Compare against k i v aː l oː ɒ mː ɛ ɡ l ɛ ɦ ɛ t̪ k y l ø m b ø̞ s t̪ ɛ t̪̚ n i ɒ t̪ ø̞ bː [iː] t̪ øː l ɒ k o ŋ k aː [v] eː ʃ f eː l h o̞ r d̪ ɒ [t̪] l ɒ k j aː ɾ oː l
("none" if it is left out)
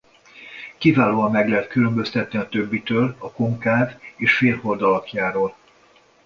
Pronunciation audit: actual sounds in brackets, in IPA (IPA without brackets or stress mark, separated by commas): i, v, none